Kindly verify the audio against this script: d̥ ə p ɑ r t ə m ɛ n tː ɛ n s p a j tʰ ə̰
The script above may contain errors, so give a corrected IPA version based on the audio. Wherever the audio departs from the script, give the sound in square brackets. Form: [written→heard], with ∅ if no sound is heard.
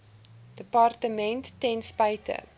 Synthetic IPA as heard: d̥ ə p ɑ r t ə m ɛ n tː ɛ n s p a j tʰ ə̰